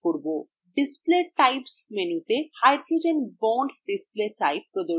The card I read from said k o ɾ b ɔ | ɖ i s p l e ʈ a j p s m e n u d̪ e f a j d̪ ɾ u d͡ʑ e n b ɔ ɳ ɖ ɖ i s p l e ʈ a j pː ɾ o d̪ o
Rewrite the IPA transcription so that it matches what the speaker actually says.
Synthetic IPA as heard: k o ɾ b o | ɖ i s p l e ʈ a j p s m e n u t̪ e h a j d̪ ɾ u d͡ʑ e n b ɔ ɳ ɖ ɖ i s p l e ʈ a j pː ɾ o d̪ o